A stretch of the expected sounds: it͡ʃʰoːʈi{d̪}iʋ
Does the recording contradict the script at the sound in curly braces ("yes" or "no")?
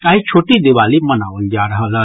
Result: no